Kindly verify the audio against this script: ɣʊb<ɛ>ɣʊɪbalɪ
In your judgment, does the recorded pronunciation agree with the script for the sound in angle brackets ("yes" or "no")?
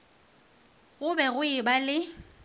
yes